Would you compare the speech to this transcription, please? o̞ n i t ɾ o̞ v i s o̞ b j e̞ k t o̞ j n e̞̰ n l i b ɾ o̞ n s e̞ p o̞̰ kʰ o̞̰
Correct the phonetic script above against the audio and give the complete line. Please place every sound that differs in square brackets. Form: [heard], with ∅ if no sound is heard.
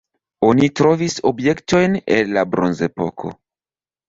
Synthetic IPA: o̞ n i t ɾ o̞ v i s o̞ b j e̞ k t o̞ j n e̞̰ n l [a] b ɾ o̞ n [z] e̞ p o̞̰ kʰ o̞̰

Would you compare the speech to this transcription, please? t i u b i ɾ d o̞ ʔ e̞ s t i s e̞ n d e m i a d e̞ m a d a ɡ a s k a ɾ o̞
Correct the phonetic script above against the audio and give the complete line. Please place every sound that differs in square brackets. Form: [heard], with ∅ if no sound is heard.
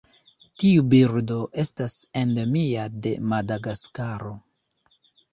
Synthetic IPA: t i u b i ɾ d o̞ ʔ e̞ s t [a] s e̞ n d e m i a d e̞ m a d a ɡ a s k a ɾ o̞

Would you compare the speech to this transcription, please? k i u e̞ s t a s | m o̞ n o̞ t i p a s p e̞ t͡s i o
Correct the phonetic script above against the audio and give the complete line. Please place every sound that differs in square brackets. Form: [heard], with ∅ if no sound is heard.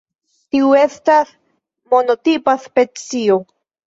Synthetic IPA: [t] i u e̞ s t a s | m o̞ n o̞ t i p a s p e̞ t͡s i o

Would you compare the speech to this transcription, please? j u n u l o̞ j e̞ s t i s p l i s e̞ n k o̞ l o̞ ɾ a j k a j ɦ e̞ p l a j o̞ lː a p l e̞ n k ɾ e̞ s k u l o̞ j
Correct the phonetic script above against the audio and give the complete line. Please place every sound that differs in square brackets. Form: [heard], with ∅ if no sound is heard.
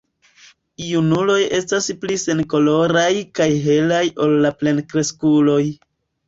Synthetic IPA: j u n u l o̞ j e̞ s t [a] s p l i s e̞ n k o̞ l o̞ ɾ a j k a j ɦ e̞ [∅] l a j o̞ lː a p l e̞ n k ɾ e̞ s k u l o̞ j

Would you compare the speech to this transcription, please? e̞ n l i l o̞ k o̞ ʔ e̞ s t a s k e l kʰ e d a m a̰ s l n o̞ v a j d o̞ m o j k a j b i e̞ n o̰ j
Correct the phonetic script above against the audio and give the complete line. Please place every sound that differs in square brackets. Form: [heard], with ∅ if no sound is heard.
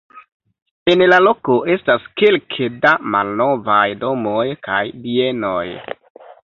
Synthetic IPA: e̞ n l [a] l o̞ k o̞ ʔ e̞ s t a s k e l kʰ e d a m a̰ [∅] l n o̞ v a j d o̞ m o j k a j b i e̞ n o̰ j

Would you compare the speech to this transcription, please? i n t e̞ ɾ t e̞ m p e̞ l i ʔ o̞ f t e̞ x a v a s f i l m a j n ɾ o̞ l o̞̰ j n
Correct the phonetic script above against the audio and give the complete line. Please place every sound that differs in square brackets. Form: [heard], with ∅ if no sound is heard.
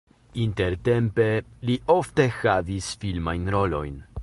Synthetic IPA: i n t e̞ ɾ t e̞ m p e̞ l i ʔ o̞ f t e̞ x a v [i] s f i l m a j n ɾ o̞ l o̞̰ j n

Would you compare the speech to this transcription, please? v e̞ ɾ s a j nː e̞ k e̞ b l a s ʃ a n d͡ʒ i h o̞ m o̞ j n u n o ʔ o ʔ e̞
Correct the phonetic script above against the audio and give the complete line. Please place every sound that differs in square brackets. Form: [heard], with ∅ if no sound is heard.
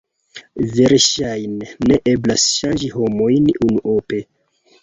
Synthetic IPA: v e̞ ɾ [ʃ] a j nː e̞ [ʔ] e̞ b l a s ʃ a n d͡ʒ i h o̞ m o̞ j n u n [u] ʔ o [p] e̞

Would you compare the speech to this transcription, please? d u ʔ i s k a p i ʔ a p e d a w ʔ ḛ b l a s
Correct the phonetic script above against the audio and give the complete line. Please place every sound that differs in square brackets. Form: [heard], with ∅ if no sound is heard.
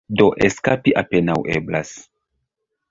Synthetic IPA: d [o] ʔ [e] s k a p i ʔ a p e [n] a w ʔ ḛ b l a s

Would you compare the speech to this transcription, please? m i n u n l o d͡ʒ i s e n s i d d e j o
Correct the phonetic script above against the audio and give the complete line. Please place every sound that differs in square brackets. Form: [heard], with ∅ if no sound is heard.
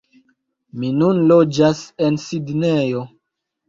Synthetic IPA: m i n u n l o d͡ʒ [a] s e n s i d [n] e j o

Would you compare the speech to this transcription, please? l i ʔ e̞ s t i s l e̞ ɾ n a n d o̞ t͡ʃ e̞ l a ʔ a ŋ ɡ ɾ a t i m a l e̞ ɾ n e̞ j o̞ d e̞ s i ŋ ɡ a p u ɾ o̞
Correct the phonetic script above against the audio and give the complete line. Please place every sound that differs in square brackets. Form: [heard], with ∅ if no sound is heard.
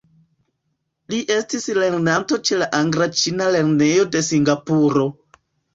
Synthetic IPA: l i ʔ e̞ s t i s l e̞ ɾ n a n [t] o̞ t͡ʃ e̞ l a ʔ a ŋ ɡ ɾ a [t͡ʃ] i [n] a l e̞ ɾ n e̞ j o̞ d e̞ s i ŋ ɡ a p u ɾ o̞

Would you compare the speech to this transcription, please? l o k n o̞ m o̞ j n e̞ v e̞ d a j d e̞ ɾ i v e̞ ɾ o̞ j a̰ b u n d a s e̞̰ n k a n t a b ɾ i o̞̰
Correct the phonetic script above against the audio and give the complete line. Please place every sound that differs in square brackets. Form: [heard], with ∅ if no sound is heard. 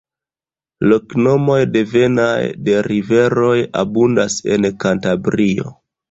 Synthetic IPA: l o k n o̞ m o̞ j [d] e̞ v e̞ [n] a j d e̞ ɾ i v e̞ ɾ o̞ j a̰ b u n d a s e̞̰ n k a n t a b ɾ i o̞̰

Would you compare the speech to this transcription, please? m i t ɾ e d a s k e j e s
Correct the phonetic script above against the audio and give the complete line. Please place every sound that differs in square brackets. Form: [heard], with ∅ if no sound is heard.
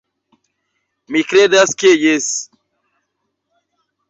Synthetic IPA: m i [k] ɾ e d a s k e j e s

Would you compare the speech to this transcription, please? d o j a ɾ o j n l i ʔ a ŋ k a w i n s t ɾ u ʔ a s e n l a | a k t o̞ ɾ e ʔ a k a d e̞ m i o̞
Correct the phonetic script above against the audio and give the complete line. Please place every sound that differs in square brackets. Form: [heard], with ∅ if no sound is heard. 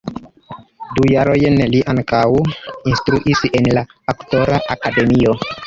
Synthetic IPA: d [u] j a ɾ o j n l i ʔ a ŋ k a w i n s t ɾ u ʔ [i] s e n l a | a k t o̞ ɾ [a] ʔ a k a d e̞ m i o̞

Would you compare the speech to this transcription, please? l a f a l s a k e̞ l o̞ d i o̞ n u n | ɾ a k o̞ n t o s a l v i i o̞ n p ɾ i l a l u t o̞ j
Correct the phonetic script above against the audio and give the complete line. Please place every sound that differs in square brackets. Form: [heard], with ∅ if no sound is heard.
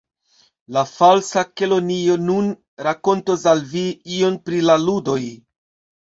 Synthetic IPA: l a f a l s a k e̞ l o̞ [n] i o̞ n u n | ɾ a k o̞ n t o s a l v i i o̞ n p ɾ i l a l u [d] o̞ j

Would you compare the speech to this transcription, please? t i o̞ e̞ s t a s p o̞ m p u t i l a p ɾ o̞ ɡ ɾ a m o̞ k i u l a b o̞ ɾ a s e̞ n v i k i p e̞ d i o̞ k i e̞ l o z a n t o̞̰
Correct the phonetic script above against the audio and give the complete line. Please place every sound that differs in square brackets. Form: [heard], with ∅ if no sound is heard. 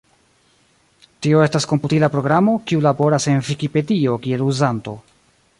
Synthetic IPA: t i o̞ e̞ s t a s [k] o̞ m p u t i l a p ɾ o̞ ɡ ɾ a m o̞ k i u l a b o̞ ɾ a s e̞ n v i k i p e̞ d i o̞ k i e̞ l [u] z a n t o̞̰

